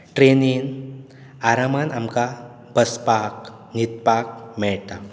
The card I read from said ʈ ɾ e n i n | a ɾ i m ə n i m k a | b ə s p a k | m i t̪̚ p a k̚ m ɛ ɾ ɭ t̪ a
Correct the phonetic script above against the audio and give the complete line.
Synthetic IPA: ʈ ɾ e n i n | a ɾ a m a n a m k a | b ə s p a k | n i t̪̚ p a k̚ m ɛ ɭ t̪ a